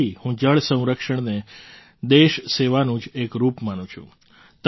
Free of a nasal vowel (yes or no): no